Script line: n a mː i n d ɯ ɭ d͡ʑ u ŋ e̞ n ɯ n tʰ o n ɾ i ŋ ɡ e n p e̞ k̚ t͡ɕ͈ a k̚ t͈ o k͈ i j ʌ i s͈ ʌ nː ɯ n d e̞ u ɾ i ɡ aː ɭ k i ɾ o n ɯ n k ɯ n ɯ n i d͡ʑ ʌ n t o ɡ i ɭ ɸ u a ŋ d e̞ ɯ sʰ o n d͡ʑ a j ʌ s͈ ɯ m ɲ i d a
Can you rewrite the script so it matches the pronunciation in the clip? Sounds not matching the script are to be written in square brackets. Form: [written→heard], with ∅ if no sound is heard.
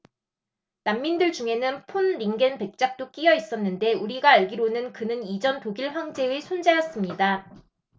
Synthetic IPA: n a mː i n d ɯ ɭ d͡ʑ u ŋ e̞ n ɯ n [tʰ→pʰ] o n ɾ i ŋ ɡ e n p e̞ k̚ t͡ɕ͈ a k̚ t͈ o k͈ i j ʌ i s͈ ʌ nː ɯ n d e̞ u ɾ i ɡ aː ɭ [k→ɡ] i ɾ o n ɯ n k ɯ n ɯ n i d͡ʑ ʌ n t o ɡ i ɭ ɸ [u→w] a ŋ [d→d͡ʑ] e̞ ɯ sʰ o n d͡ʑ a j ʌ s͈ ɯ m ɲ i d a